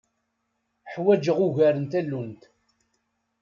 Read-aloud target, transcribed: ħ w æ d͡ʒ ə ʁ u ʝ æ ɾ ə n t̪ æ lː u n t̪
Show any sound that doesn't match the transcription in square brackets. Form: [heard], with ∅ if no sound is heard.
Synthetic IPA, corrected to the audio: ħ w æ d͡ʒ ə ʁ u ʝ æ ɾ ə n t̪ æ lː u n t̪